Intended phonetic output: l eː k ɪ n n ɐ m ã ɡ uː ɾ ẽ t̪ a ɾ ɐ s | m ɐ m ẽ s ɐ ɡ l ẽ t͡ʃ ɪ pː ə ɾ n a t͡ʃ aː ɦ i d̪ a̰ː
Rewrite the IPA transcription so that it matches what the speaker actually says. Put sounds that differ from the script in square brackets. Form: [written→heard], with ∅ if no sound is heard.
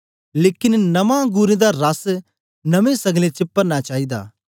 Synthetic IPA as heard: l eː k ɪ n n ɐ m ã ɡ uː ɾ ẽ [t̪→d̪] a ɾ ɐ s | [m→n] ɐ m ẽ s ɐ ɡ l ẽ t͡ʃ ɪ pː ə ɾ n a t͡ʃ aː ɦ i d̪ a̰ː